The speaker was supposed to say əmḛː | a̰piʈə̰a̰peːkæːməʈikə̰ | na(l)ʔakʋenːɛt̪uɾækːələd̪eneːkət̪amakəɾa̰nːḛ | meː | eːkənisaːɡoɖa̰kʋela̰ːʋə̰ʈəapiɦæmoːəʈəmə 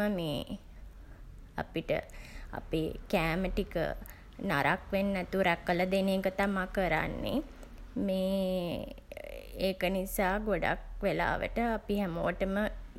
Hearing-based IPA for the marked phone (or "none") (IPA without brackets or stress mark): ɾ